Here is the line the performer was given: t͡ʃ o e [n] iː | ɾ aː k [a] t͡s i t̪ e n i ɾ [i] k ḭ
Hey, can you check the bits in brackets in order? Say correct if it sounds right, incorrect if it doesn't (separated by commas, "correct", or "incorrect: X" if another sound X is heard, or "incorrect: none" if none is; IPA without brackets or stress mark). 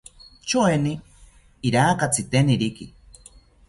correct, correct, correct